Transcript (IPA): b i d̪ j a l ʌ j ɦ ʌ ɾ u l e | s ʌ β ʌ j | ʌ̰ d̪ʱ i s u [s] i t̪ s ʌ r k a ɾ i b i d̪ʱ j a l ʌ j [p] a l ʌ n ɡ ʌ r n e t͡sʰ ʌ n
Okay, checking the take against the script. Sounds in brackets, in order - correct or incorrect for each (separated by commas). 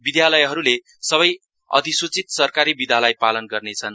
incorrect, correct